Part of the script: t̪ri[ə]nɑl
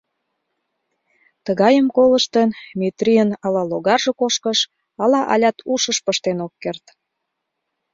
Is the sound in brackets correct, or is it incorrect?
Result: correct